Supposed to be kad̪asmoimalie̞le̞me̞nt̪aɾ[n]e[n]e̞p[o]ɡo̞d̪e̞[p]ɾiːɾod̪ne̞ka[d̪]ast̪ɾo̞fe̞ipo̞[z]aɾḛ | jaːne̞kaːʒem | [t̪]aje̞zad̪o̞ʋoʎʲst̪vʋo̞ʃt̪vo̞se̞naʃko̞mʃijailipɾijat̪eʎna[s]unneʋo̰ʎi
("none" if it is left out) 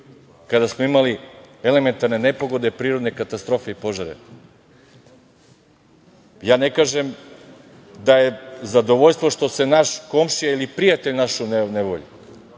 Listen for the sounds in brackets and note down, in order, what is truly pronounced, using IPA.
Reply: n, n, o, p, t̪, ʒ, d̪, ʃ

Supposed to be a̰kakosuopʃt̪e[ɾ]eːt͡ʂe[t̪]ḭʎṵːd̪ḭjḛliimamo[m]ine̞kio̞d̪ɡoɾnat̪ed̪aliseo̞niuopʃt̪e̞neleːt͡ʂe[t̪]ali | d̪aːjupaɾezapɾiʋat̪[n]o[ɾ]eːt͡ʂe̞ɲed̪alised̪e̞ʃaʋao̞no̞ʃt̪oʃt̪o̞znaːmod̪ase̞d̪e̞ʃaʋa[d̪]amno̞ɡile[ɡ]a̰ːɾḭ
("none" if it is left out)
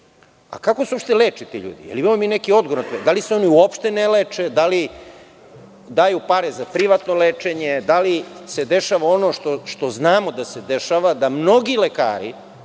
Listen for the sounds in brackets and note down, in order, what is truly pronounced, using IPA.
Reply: l, t̪, m, d̪, n, l, d̪, k

